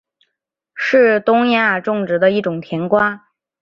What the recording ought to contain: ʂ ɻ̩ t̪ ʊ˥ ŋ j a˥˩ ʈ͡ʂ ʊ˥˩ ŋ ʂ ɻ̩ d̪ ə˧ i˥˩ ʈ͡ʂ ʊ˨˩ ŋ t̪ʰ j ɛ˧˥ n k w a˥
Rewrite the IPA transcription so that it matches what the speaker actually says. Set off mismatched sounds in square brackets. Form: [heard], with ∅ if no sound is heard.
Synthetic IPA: ʂ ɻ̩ t̪ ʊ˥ ŋ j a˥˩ ʈ͡ʂ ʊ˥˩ ŋ [ʈ͡ʂ] ɻ̩ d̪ ə˧ i˥˩ ʈ͡ʂ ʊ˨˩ ŋ t̪ʰ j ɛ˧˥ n k w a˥